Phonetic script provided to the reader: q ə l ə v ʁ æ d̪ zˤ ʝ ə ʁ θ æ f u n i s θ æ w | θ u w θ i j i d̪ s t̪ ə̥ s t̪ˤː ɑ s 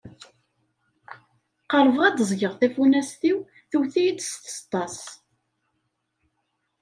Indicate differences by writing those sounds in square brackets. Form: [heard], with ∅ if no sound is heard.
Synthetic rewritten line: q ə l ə v ʁ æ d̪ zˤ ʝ ə ʁ θ æ f u n [æ] s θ [i] w | θ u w θ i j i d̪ s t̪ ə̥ s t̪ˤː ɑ s